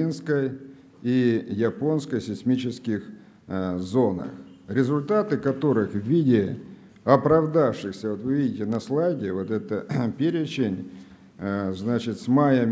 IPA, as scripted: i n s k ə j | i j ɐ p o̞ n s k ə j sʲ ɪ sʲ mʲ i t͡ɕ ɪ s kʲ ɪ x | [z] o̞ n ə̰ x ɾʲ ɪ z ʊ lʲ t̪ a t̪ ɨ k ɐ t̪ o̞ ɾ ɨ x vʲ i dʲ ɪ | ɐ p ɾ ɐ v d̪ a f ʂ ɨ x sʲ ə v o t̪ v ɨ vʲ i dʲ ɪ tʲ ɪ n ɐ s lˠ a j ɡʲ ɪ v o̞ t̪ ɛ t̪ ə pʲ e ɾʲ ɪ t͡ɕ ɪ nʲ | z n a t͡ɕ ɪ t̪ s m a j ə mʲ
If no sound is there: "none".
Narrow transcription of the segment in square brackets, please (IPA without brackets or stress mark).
z